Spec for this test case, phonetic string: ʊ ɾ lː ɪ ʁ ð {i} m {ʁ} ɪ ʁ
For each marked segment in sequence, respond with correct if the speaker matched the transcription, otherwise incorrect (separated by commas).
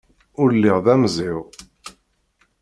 incorrect, incorrect